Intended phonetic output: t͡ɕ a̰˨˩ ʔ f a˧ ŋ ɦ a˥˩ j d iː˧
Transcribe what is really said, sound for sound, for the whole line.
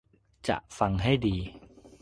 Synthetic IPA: t͡ɕ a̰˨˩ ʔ f a˧ ŋ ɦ a˥˩ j d iː˧